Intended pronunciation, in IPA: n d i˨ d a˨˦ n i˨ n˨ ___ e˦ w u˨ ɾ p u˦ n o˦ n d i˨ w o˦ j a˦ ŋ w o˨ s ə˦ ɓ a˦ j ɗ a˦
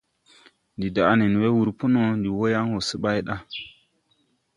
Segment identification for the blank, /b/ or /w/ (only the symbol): w